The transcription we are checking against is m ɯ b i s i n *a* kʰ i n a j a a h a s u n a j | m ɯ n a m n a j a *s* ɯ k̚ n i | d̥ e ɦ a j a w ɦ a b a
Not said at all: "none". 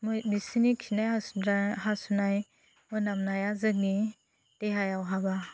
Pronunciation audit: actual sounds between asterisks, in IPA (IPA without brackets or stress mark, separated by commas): i, z